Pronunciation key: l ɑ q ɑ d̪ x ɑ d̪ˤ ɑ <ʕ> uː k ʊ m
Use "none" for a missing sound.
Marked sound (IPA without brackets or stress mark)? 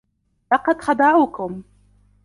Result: ʕ